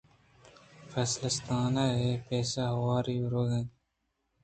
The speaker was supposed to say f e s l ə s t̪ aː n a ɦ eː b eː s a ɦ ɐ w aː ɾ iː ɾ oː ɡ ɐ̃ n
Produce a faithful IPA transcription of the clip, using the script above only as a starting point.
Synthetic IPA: f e s l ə s t̪ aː n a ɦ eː p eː s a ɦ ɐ w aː ɾ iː ɾ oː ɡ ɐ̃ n